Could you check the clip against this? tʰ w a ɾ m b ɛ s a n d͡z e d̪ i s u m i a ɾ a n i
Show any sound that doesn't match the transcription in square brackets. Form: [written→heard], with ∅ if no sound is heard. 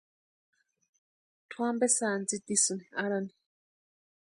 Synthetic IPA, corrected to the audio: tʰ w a [ɾ→∅] m b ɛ s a n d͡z [e→i] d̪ i s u [m→n] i a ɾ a n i